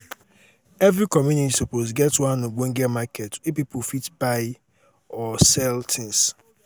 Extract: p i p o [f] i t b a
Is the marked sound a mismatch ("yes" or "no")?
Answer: no